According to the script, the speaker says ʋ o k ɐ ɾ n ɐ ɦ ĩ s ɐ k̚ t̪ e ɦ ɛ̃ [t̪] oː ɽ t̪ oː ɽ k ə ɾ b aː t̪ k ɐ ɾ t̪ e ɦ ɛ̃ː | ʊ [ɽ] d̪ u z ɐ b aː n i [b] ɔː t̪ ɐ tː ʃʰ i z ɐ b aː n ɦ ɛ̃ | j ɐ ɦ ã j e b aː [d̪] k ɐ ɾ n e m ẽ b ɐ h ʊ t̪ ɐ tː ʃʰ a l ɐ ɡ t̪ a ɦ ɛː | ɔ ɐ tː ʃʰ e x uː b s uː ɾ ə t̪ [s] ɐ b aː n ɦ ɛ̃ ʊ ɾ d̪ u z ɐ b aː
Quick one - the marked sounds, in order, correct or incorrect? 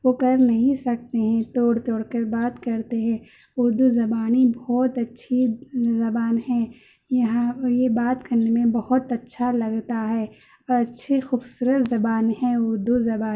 correct, incorrect: ɾ, correct, incorrect: t̪, incorrect: z

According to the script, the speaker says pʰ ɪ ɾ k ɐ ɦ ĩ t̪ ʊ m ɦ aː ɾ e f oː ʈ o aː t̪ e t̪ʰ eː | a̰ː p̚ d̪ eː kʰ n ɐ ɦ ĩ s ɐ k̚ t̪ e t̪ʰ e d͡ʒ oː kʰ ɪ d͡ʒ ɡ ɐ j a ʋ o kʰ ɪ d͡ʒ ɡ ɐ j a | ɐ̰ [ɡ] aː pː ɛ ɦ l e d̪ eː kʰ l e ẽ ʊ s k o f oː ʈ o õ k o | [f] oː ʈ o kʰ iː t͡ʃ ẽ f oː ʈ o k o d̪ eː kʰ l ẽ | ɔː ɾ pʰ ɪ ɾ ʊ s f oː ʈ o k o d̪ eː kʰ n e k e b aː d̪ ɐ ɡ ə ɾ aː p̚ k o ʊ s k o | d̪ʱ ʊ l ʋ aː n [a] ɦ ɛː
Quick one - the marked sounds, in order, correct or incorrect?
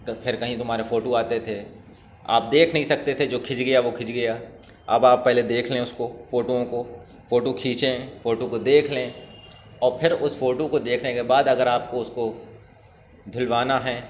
incorrect: b, correct, correct

